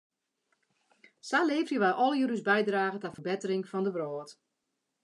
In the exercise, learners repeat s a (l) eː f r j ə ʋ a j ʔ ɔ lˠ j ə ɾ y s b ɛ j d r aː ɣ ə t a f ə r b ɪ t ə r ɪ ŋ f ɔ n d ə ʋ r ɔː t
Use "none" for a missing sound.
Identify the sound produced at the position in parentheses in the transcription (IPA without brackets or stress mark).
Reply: l